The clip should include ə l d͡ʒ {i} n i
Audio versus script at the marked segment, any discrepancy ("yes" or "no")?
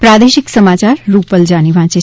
yes